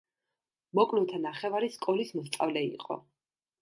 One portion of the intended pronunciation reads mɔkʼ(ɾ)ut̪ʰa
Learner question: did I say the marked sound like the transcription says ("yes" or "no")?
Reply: no